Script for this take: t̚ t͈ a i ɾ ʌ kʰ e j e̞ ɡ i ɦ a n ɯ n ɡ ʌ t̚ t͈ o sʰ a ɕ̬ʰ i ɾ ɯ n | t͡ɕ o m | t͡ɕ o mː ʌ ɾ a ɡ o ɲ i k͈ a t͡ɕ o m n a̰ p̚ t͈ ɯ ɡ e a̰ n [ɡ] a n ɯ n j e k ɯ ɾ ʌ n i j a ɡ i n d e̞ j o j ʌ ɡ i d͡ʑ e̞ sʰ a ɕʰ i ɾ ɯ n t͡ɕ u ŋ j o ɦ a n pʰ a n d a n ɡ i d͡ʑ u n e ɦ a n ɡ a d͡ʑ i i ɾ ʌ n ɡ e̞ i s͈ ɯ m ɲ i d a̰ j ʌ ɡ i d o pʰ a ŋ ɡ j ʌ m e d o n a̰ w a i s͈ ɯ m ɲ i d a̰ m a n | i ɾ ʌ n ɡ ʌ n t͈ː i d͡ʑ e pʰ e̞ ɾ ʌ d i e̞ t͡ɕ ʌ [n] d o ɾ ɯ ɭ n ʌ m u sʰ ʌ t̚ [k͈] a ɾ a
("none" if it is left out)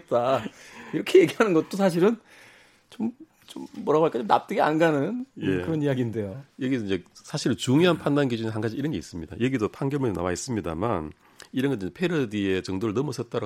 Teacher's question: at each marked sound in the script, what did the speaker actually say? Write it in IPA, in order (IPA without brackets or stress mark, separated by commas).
ɡ, ŋ, t͈